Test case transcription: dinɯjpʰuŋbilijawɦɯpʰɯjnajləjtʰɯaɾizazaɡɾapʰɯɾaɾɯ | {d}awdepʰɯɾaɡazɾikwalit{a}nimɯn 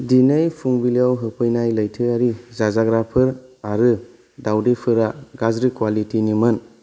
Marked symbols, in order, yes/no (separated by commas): yes, no